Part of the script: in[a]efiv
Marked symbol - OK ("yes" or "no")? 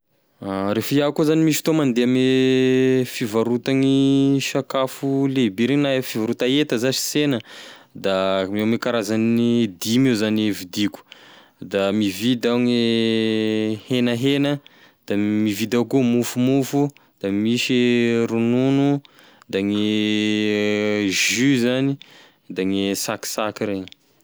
yes